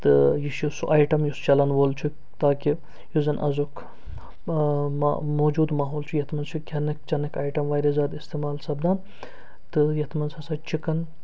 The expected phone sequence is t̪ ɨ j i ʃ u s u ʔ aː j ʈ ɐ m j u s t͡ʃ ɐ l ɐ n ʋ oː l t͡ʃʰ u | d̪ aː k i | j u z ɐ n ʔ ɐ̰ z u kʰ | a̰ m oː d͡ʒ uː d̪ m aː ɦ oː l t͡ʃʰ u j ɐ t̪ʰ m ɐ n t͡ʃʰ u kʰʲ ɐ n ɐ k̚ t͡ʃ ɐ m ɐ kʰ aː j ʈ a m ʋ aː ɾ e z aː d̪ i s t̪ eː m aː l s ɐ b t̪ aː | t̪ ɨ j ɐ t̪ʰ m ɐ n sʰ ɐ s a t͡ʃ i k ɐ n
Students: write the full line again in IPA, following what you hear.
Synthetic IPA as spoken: t̪ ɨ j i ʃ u s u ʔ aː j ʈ ɐ m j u s t͡ʃ ɐ l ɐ n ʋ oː l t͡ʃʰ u | t̪ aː k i | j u z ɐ n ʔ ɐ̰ z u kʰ | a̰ m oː d͡ʒ uː d̪ m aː ɦ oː l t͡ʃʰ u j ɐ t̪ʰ m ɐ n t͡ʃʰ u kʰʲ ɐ n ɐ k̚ t͡ʃ ɐ n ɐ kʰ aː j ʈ ɐ m ʋ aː ɾ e z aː d̪ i s t̪ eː m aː l s ɐ b d̪ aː | t̪ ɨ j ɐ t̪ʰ m ɐ n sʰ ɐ s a t͡ʃ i k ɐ n